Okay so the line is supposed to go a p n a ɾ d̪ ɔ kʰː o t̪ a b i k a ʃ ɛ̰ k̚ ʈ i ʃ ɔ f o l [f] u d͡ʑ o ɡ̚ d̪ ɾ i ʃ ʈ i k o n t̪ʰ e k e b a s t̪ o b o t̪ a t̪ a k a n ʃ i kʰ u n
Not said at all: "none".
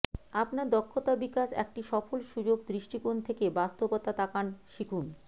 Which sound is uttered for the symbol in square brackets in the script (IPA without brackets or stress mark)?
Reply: ʃ